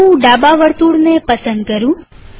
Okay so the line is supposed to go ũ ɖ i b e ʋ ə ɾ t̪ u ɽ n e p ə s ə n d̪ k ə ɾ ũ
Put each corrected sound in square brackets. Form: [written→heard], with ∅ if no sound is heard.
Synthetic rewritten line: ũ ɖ [i→a] b [e→a] ʋ ə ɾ t̪ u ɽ n e p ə s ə n d̪ k ə ɾ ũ